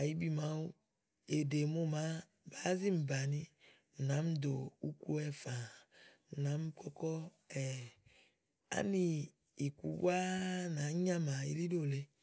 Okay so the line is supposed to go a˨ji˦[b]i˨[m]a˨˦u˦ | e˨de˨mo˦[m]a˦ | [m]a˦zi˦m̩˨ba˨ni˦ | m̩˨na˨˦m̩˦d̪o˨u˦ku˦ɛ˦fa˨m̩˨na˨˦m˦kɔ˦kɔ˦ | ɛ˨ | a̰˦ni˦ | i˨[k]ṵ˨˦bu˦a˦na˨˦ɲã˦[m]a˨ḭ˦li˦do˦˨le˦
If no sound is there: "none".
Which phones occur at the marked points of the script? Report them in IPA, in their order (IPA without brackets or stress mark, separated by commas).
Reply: b, m, m, b, k, m